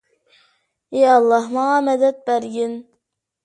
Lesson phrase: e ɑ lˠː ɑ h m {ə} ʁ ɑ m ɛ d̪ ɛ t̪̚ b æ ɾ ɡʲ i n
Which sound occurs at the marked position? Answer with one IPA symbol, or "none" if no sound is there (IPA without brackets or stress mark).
ɑ